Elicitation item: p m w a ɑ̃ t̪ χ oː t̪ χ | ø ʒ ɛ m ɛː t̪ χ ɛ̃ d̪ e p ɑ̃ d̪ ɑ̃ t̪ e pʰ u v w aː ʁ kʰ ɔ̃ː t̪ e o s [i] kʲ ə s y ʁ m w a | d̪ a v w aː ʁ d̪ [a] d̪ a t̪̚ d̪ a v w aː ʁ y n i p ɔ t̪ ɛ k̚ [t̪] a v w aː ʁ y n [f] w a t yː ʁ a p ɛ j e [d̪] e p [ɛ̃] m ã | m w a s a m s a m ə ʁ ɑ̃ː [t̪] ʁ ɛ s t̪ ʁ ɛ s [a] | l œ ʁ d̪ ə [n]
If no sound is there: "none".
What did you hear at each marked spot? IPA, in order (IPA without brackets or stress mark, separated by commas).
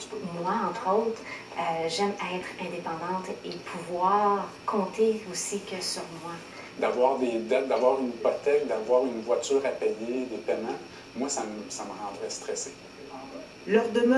i, e, d̪, v, d̪, ɛ, d̪, e, m